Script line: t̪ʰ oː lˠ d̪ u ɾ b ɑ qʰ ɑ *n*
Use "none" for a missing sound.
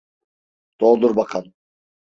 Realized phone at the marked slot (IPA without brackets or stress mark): n